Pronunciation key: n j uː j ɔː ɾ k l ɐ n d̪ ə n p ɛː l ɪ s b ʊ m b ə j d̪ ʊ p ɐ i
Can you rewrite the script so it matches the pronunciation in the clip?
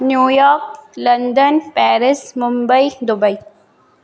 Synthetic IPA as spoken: n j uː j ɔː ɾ k l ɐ n d̪ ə n p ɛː ɾ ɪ s m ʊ m b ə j d̪ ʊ b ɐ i